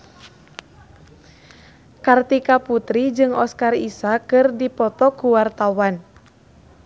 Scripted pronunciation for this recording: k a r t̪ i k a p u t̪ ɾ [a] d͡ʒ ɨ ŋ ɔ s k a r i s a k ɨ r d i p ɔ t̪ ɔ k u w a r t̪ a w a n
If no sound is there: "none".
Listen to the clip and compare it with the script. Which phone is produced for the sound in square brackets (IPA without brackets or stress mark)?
i